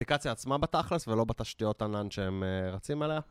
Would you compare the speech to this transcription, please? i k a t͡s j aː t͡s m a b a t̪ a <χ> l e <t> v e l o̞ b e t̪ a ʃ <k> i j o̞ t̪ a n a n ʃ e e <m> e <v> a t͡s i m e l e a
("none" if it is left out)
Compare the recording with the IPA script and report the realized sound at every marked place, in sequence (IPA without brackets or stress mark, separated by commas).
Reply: χ, s, t, m, ʁ